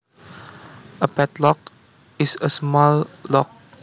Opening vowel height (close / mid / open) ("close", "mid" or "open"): mid